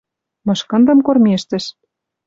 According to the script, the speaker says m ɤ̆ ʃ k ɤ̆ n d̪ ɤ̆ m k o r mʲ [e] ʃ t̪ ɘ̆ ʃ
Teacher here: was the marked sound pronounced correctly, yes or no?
yes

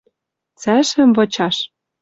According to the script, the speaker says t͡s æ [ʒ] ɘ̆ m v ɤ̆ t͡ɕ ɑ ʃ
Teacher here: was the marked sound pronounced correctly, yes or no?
no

